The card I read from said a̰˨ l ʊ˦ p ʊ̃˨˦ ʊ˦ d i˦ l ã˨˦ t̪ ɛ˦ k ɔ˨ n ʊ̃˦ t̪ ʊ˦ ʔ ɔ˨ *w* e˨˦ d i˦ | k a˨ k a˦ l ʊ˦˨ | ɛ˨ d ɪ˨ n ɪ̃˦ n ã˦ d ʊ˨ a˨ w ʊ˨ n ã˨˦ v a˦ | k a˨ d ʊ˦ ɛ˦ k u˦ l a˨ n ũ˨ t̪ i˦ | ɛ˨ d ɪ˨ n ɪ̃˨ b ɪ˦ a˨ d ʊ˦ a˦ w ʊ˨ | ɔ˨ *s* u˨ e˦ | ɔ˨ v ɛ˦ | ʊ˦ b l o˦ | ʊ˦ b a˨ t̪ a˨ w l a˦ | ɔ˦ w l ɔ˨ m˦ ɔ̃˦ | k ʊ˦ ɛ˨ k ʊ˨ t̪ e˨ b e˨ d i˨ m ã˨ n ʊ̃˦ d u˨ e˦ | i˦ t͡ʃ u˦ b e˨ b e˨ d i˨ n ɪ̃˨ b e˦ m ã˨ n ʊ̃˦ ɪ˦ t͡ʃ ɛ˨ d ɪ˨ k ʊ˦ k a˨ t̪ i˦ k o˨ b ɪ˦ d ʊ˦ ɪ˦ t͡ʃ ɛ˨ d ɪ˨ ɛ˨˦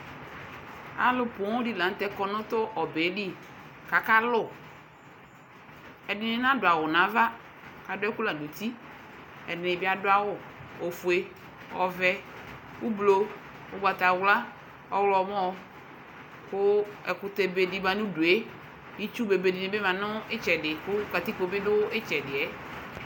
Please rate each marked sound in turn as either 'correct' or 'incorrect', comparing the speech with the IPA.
incorrect: b, incorrect: f

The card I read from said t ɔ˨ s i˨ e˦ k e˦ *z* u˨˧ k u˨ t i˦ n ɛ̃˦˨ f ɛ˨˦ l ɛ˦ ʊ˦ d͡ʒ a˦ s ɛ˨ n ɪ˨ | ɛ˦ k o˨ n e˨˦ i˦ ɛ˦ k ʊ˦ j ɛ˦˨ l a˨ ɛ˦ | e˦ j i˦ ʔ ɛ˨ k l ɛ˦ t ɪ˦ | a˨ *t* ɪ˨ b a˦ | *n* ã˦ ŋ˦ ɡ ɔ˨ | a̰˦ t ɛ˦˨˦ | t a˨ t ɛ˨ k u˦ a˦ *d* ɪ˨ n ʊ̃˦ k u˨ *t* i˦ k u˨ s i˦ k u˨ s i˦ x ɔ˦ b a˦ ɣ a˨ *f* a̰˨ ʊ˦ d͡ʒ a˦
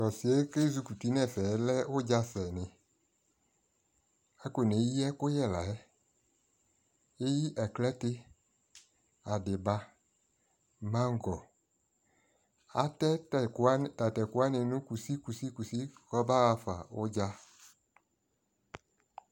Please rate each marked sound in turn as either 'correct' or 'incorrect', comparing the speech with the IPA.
correct, incorrect: d, incorrect: m, incorrect: n, incorrect: s, correct

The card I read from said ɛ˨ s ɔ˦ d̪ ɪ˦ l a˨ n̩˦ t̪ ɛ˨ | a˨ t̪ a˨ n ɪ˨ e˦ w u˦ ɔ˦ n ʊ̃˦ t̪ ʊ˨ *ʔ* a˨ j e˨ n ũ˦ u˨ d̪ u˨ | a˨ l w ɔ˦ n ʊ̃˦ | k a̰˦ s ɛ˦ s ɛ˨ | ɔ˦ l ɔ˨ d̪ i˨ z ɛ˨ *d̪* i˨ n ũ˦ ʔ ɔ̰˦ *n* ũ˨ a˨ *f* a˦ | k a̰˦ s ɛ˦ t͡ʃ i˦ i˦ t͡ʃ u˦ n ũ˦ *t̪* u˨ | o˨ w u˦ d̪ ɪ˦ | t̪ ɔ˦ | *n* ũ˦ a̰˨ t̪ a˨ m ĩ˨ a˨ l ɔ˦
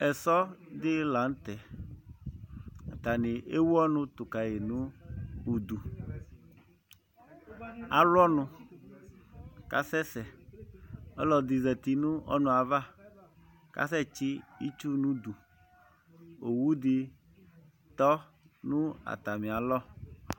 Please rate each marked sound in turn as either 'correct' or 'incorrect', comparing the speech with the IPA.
incorrect: k, incorrect: t̪, correct, incorrect: v, incorrect: d̪, correct

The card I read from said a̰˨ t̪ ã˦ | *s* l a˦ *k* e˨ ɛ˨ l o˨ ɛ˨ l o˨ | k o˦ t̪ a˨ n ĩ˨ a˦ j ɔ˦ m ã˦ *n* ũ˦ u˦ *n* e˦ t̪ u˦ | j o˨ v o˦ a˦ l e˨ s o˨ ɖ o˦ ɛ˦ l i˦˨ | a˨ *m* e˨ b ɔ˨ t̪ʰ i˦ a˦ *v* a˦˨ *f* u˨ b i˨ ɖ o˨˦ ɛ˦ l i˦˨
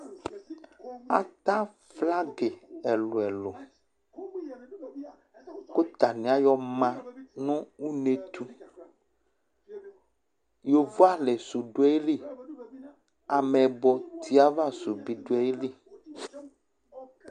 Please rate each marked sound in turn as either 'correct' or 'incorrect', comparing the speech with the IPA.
incorrect: f, incorrect: ɡ, correct, correct, correct, correct, incorrect: s

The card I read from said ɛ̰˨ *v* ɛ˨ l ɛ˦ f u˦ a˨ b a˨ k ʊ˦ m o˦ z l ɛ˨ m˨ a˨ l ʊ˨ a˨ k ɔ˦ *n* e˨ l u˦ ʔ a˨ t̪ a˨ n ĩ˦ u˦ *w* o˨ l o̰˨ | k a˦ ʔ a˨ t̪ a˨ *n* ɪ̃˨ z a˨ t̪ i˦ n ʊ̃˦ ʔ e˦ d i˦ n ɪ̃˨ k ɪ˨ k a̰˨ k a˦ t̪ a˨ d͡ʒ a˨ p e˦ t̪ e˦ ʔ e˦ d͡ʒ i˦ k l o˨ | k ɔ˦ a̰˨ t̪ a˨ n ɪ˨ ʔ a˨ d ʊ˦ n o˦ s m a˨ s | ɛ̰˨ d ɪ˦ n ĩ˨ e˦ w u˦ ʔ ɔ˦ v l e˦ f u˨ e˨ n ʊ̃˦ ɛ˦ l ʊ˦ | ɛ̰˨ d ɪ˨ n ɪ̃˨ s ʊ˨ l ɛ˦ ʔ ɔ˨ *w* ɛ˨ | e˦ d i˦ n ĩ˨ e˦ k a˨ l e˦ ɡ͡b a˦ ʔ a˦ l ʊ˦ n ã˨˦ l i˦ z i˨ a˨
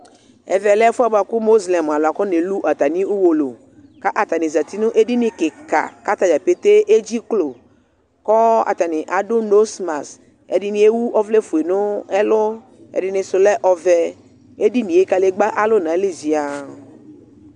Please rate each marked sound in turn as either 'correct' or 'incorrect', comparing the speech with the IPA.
correct, correct, correct, correct, incorrect: v

